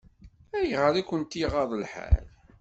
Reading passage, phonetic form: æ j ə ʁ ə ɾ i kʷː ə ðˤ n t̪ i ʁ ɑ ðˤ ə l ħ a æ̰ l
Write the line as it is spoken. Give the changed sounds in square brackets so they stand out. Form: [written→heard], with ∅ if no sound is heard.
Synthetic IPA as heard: æ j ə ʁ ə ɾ [i→æ] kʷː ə [ðˤ→∅] n t̪ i ʁ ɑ ðˤ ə l ħ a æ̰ l